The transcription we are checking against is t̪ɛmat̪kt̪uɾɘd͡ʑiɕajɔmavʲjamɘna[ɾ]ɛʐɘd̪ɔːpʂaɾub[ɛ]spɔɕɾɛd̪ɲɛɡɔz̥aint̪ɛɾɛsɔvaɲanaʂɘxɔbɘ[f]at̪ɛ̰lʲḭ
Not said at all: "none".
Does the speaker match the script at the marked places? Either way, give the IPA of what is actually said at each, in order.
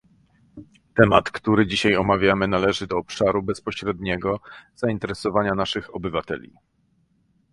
l, ɛ, v

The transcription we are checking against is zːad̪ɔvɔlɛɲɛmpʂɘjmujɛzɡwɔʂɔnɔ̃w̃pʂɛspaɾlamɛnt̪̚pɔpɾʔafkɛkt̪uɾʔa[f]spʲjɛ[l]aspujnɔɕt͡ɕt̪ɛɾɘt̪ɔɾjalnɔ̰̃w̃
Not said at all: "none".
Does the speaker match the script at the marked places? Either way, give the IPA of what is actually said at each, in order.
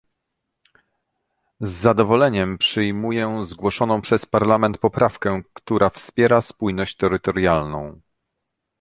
f, ɾ

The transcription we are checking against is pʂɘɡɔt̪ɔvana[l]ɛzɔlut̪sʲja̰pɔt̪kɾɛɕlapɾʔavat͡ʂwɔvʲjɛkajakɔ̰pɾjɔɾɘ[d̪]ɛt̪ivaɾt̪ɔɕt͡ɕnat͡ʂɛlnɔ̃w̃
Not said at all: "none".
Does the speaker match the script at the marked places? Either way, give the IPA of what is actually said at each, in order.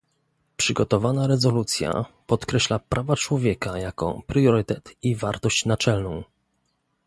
ɾ, t̪

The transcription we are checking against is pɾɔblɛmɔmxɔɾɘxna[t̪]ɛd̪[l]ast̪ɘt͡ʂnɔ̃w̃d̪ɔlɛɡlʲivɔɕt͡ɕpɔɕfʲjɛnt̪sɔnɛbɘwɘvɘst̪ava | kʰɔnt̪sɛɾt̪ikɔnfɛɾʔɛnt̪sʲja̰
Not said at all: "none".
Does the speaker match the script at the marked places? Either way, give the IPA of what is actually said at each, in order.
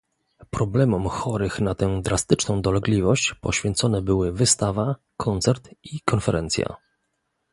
t̪, ɾ

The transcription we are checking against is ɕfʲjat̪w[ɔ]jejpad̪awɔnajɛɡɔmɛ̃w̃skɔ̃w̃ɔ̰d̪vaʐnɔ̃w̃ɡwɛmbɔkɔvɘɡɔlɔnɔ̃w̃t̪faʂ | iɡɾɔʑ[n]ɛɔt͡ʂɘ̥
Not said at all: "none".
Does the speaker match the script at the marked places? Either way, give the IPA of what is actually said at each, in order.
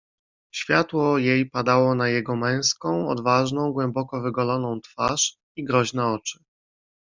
ɔ, n

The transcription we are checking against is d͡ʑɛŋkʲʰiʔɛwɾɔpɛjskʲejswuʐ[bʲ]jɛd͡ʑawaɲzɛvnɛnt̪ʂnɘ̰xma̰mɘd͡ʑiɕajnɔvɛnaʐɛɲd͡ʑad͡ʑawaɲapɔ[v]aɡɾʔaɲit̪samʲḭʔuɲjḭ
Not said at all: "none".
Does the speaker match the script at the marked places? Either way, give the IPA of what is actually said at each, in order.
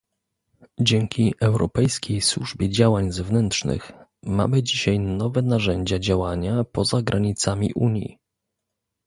bʲ, z

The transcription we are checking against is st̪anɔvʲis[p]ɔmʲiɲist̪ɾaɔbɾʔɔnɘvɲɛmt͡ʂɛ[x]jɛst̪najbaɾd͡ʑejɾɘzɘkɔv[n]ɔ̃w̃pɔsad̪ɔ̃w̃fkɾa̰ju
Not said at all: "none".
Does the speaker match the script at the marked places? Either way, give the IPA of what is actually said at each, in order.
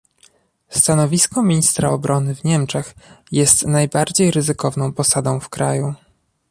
k, x, n

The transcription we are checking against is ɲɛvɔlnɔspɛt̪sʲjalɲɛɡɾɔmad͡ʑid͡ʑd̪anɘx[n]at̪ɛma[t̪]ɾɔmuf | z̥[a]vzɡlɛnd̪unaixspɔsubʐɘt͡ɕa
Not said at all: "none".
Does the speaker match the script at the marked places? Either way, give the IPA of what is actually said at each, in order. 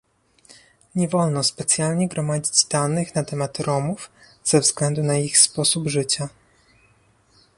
n, t̪, ɛ

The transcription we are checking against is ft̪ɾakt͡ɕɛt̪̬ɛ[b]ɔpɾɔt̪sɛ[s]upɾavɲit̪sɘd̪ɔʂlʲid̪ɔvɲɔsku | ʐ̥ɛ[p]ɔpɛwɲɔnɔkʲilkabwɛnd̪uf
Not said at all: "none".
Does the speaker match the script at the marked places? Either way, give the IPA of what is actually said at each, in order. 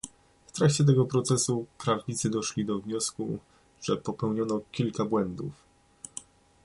ɡ, s, p

